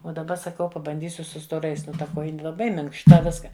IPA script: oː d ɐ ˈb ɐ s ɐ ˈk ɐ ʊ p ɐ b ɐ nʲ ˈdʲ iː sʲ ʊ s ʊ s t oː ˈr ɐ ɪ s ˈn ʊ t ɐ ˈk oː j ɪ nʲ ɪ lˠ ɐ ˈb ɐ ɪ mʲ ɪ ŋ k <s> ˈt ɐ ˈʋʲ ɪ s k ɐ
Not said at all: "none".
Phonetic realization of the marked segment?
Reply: ʃ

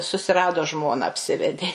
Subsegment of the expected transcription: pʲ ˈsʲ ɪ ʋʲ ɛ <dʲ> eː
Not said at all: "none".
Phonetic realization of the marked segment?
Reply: dʲ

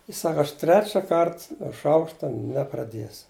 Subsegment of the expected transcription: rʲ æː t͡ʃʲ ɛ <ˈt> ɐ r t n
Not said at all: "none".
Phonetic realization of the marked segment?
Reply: k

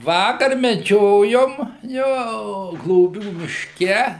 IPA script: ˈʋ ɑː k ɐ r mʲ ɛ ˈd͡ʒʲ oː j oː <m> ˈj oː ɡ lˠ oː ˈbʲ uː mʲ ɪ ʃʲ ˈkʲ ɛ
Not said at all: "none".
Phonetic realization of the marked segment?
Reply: m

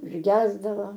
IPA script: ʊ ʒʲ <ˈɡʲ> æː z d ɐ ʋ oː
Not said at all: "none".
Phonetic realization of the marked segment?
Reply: ɡʲ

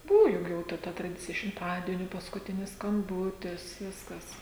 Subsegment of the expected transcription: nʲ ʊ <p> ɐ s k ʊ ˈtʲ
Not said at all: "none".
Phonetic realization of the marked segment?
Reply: p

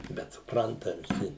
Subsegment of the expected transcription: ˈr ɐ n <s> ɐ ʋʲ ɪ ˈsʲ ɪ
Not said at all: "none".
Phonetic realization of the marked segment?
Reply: t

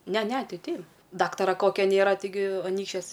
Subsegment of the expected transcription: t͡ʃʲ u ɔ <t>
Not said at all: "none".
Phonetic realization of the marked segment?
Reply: s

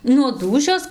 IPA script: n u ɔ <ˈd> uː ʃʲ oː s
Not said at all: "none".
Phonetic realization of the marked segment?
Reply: d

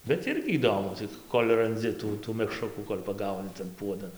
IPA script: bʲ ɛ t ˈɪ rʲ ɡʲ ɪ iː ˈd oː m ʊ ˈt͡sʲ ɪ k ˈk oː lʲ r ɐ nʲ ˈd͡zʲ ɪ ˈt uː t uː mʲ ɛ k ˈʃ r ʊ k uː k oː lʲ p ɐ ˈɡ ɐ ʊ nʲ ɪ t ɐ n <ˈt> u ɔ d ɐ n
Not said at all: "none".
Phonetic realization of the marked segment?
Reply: p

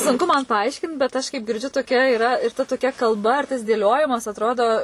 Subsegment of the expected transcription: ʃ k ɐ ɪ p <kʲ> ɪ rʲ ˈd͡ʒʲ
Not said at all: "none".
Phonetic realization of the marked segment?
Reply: ɡʲ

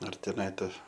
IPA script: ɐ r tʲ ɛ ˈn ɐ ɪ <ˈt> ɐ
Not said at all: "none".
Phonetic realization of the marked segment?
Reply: t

